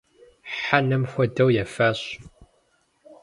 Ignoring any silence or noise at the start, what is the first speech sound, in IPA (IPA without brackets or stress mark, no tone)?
ħ